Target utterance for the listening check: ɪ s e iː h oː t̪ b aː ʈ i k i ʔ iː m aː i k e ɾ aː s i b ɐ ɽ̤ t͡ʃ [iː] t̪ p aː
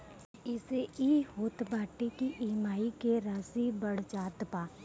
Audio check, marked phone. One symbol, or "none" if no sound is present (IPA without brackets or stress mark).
aː